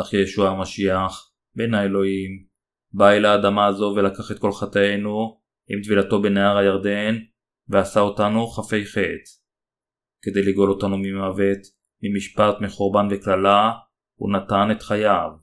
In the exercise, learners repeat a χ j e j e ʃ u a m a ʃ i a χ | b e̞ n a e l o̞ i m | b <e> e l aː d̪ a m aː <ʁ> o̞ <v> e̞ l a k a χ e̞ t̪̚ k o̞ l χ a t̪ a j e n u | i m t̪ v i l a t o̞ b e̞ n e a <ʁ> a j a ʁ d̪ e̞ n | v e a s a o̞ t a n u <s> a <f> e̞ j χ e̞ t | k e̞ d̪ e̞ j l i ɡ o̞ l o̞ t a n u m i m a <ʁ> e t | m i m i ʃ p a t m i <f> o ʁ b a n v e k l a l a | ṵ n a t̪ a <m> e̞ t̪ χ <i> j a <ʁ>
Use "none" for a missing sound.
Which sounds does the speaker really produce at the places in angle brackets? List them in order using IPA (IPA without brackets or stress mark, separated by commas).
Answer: a, z, v, ʁ, χ, f, v, χ, n, a, v